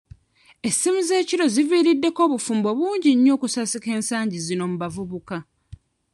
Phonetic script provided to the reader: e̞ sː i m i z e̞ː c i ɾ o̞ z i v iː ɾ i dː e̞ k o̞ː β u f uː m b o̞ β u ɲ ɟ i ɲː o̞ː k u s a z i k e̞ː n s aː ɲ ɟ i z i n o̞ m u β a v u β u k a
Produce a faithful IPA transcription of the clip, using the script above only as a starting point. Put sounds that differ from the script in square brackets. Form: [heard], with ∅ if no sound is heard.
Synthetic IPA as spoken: e̞ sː i m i z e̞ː c i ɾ o̞ z i v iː ɾ i dː e̞ k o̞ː β u f uː m b o̞ β [uː] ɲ ɟ i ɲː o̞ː k u s a [s] i k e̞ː n s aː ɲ ɟ i z i n o̞ m u β a v u β u k a